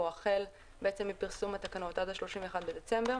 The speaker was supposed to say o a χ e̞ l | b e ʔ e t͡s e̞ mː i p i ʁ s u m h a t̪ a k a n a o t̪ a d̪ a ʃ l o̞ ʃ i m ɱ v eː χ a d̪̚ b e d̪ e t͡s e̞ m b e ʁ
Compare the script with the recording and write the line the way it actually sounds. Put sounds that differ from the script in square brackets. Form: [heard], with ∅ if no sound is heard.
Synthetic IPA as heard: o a χ e̞ l | b e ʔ e t͡s e̞ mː i p i ʁ s u m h a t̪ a k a n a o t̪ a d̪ a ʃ l o̞ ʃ i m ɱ v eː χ a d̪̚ b e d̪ e t͡s e̞ m b e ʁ